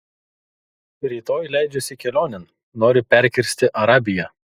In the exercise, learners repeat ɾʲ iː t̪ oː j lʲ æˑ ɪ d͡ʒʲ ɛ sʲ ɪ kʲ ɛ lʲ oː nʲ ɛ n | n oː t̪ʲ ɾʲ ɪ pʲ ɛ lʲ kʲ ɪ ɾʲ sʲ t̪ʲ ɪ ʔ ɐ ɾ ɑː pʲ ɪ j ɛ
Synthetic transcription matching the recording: ɾʲ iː t̪ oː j lʲ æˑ ɪ d͡ʒʲ ɛ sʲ ɪ kʲ ɛ lʲ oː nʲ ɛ n | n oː ɾʲ ɪ pʲ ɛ ɾʲ kʲ ɪ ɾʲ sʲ t̪ʲ ɪ ʔ ɐ ɾ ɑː bʲ ɪ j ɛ